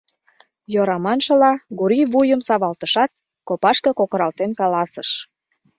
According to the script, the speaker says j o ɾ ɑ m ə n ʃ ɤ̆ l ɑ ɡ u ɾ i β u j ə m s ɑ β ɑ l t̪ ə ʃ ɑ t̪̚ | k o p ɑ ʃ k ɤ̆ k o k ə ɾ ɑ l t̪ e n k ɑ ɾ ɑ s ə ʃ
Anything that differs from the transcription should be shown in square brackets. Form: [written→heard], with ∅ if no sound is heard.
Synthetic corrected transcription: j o ɾ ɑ m [ə→ɑ] n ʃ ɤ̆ l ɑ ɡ u ɾ i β u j ə m s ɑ β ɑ l t̪ ə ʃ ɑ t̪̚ | k o p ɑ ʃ k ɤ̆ k o k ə ɾ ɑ l t̪ e n k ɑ [ɾ→l] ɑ s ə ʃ